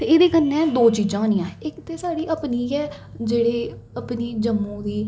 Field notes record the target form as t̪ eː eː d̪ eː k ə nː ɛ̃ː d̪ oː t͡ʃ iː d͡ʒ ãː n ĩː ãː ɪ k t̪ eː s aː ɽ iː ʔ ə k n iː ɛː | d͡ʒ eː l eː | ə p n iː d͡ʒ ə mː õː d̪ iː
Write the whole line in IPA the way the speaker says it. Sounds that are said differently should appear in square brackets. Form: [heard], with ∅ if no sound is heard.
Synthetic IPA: t̪ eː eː d̪ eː k ə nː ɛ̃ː d̪ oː t͡ʃ iː d͡ʒ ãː n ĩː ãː ɪ k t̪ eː s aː ɽ iː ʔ ə [p] n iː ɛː | d͡ʒ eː [ɽ] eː | ə p n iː d͡ʒ ə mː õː d̪ iː